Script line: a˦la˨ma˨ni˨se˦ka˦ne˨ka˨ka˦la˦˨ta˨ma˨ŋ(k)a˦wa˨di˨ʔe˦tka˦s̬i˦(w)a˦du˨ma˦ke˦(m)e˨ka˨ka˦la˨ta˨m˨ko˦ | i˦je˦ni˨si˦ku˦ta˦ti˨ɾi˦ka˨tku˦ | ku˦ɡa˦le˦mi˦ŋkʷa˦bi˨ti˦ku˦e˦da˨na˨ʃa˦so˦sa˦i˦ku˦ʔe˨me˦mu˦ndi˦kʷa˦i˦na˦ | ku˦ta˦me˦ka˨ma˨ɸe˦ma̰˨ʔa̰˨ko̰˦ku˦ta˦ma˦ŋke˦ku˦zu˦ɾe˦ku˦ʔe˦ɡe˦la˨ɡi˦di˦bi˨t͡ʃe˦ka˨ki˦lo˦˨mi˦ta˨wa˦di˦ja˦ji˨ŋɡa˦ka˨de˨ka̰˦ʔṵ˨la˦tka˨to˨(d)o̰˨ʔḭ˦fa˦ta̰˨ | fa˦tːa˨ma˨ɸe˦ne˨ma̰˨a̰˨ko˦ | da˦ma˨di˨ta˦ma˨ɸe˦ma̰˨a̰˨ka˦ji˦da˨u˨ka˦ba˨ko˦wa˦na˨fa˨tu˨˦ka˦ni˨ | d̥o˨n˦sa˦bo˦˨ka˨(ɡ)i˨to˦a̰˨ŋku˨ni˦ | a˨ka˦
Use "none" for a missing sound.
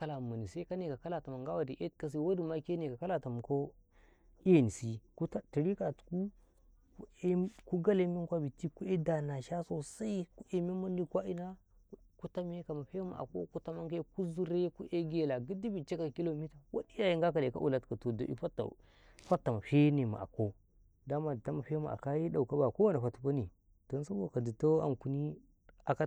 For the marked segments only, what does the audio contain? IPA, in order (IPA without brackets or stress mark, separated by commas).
ɡ, w, n, d, d